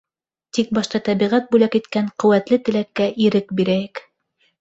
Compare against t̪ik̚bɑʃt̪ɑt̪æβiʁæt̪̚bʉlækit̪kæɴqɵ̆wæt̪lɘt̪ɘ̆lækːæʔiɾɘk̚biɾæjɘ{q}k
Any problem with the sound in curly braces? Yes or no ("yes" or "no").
yes